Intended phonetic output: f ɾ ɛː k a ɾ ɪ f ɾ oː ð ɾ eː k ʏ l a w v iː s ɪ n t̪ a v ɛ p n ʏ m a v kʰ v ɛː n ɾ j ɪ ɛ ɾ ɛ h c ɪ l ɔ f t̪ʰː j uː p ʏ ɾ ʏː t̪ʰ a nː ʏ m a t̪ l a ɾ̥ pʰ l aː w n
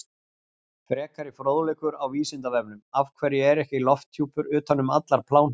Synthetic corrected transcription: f ɾ ɛː k a ɾ ɪ f ɾ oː ð l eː k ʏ ɾ a w v iː s ɪ n t̪ a v ɛ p n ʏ m a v kʰ v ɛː ɾ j ɪ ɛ ɾ ɛ h c ɪ l ɔ f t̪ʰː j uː p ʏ ɾ ʏː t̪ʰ a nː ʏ m a t̪ l a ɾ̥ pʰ l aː w n